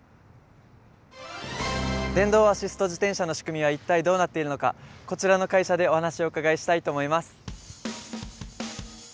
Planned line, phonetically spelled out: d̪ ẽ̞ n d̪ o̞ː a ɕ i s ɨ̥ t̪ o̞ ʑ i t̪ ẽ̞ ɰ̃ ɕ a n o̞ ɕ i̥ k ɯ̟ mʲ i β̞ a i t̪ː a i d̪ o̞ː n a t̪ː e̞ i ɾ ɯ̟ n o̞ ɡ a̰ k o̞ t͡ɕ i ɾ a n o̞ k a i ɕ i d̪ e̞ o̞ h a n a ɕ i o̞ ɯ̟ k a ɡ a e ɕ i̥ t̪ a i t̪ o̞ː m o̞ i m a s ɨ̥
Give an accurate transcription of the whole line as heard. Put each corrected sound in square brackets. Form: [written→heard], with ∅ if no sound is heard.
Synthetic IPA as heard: d̪ ẽ̞ n d̪ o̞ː a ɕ i s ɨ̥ t̪ o̞ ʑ i t̪ ẽ̞ ɰ̃ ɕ a n o̞ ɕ i̥ k ɯ̟ mʲ i β̞ a i t̪ː a i d̪ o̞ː n a t̪ː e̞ i ɾ ɯ̟ n o̞ [ɡ→k] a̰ k o̞ t͡ɕ i ɾ a n o̞ k a i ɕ [i→a] d̪ e̞ o̞ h a n a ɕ i o̞ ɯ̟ k a ɡ a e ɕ i̥ t̪ a i t̪ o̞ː m o̞ i m a s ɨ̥

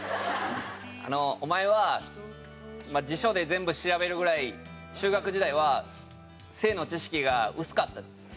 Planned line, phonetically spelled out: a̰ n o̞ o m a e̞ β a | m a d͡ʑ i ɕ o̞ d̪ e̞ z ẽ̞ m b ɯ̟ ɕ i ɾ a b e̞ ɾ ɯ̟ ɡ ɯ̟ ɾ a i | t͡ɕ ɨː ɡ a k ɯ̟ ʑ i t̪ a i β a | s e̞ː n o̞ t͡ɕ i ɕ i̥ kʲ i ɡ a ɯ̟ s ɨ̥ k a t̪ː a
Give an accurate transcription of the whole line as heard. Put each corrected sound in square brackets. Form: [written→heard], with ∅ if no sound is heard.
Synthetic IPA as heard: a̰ n o̞ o m a e̞ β a | m a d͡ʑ i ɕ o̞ d̪ e̞ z ẽ̞ m b ɯ̟ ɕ i ɾ a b e̞ ɾ ɯ̟ ɡ ɯ̟ ɾ a i | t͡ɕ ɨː ɡ a k ɯ̟ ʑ i [t̪→d̪] a i β a | s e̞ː n o̞ t͡ɕ i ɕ i̥ kʲ i ɡ a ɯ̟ s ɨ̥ k a t̪ː a

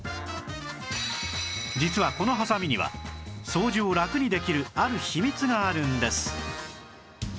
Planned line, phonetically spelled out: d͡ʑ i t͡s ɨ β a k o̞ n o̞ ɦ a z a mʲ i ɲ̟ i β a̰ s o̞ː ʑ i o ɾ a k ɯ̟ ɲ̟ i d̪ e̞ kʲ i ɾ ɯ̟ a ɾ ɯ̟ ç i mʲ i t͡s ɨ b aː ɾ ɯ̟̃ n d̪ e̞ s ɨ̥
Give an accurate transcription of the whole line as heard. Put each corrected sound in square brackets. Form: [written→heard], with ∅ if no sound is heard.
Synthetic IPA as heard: d͡ʑ i t͡s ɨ β a k o̞ n o̞ ɦ a [z→s] a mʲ i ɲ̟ i β a̰ s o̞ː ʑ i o ɾ a k ɯ̟ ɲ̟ i d̪ e̞ kʲ i ɾ ɯ̟ a ɾ ɯ̟ ç i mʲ i t͡s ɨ [b→ɡ] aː ɾ ɯ̟̃ n d̪ e̞ s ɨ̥

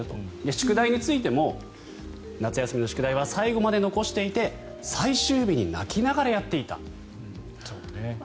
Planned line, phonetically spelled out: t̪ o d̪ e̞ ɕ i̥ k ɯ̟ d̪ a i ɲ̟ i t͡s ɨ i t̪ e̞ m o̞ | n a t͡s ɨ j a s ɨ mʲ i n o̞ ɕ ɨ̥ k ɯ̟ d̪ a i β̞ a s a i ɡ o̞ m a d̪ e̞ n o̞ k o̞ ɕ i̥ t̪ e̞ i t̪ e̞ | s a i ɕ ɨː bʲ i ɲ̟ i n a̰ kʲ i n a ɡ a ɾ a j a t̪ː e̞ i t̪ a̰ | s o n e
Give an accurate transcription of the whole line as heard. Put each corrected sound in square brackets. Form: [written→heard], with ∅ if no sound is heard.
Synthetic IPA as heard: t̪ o d̪ e̞ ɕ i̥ k ɯ̟ d̪ a i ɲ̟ i t͡s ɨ i t̪ e̞ m o̞ | n a t͡s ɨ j a s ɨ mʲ i n o̞ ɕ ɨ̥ k ɯ̟ d̪ a i β̞ a s a i ɡ o̞ m a d̪ e̞ n o̞ k o̞ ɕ i̥ t̪ e̞ i t̪ e̞ | s a i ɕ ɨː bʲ i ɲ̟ i n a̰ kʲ i n a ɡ a ɾ a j a t̪ː e̞ i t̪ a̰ | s o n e

